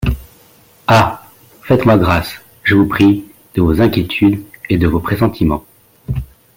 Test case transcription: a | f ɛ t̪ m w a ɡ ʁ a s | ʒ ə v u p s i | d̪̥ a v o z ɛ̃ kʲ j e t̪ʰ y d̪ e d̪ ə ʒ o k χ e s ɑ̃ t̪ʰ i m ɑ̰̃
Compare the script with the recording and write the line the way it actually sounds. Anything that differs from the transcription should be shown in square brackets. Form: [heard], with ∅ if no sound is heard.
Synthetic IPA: a | f ɛ t̪ m w a ɡ ʁ a s | ʒ ə v u p [χ] i | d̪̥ [ə] v o z ɛ̃ kʲ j e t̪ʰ y d̪ e d̪ ə [v] o [p] χ e s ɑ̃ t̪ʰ i m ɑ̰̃